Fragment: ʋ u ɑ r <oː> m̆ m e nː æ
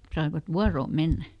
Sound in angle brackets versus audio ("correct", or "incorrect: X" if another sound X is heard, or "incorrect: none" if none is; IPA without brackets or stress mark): correct